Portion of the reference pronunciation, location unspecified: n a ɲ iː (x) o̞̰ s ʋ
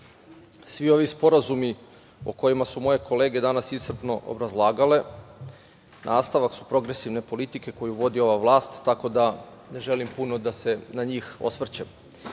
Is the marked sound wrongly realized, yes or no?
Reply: no